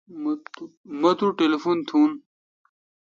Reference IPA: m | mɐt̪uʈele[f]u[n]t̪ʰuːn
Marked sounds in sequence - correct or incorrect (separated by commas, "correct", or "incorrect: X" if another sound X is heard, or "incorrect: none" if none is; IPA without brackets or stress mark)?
correct, correct